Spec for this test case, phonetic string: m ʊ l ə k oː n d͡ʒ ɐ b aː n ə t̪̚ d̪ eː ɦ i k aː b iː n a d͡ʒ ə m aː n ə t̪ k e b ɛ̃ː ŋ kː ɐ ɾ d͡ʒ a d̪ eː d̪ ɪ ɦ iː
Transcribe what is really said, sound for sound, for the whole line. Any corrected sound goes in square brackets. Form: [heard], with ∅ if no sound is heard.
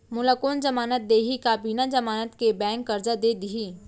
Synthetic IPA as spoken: m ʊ l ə k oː n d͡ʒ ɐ [m] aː n ə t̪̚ d̪ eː ɦ i k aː b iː n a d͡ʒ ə m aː n ə t̪ k e b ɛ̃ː ŋ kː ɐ ɾ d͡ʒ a d̪ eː d̪ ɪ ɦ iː